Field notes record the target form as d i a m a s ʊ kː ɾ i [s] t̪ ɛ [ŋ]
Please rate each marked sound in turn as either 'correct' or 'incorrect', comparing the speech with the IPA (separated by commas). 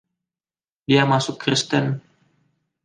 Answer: correct, incorrect